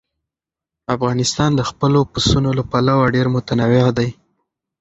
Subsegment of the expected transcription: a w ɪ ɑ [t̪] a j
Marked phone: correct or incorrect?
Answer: incorrect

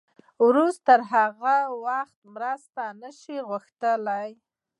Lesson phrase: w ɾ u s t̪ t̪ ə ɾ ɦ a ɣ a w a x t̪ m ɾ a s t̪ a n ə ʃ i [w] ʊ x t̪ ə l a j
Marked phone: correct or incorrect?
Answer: incorrect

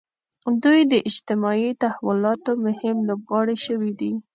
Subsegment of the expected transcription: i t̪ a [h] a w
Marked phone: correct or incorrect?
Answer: correct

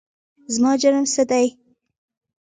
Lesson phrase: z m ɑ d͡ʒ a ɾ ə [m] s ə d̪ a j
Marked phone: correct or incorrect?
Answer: correct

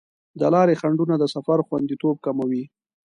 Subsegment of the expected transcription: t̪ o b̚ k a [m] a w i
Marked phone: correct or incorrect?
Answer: correct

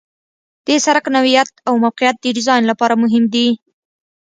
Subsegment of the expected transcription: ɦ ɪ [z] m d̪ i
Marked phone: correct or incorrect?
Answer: incorrect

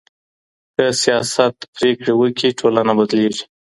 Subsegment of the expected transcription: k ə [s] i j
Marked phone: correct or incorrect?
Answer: correct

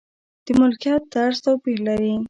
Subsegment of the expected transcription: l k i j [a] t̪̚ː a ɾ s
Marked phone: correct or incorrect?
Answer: incorrect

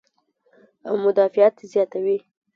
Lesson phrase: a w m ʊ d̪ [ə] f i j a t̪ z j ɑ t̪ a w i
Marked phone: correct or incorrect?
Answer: incorrect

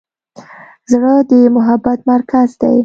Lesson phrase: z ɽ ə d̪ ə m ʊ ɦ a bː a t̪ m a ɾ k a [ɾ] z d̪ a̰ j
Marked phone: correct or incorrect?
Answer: incorrect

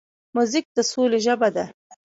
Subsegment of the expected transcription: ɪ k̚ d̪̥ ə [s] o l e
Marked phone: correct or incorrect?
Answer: correct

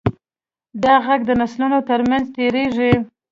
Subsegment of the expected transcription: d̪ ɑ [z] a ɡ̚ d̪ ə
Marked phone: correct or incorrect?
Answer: incorrect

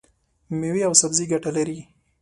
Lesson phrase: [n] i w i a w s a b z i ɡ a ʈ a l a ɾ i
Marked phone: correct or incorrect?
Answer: incorrect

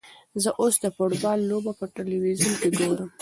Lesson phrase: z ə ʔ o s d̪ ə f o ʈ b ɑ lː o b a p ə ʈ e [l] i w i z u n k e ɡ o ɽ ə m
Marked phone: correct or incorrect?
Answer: correct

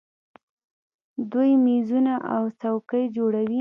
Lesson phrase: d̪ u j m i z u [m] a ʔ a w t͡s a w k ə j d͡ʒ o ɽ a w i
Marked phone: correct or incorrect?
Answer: incorrect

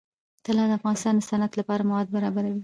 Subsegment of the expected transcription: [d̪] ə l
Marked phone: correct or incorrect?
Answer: incorrect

